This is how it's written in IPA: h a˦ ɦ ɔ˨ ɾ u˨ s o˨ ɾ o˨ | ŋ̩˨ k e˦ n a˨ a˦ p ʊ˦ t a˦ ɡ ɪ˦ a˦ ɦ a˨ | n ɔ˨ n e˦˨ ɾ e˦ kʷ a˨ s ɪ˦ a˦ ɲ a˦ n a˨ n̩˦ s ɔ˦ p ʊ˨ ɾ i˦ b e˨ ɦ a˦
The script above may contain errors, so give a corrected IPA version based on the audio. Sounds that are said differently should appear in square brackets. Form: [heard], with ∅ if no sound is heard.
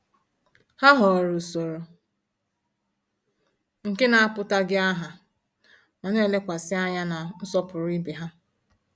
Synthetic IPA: h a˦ ɦ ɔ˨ ɾ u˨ s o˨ ɾ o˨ | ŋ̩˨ k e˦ n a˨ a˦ p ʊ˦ t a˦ ɡ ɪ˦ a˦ ɦ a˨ | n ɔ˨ n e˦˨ [l] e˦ kʷ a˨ s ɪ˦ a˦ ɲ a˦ n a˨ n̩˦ s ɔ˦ p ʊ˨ ɾ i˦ b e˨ ɦ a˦